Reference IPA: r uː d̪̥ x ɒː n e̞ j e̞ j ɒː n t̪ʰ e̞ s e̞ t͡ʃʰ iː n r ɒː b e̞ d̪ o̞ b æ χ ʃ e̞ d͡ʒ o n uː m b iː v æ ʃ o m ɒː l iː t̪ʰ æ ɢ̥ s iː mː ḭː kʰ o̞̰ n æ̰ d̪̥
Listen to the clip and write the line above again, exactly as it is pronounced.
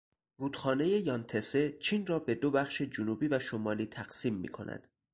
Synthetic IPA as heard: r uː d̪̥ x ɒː n e̞ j e̞ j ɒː n t̪ʰ e̞ s e̞ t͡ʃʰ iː n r ɒː b e̞ d̪ o̞ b æ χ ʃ e̞ d͡ʒ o n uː b iː v æ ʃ o m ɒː l iː t̪ʰ æ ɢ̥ s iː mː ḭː kʰ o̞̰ n æ̰ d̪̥